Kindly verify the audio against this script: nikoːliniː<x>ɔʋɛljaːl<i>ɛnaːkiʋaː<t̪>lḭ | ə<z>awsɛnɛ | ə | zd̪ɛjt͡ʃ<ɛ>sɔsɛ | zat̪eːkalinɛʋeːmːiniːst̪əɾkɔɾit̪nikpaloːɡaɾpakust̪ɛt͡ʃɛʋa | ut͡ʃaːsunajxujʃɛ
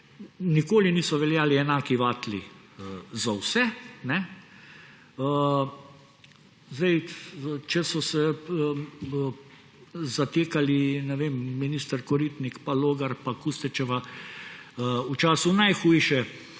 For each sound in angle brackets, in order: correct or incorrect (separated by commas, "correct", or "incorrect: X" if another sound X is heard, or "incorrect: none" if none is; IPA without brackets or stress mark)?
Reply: incorrect: s, correct, correct, correct, correct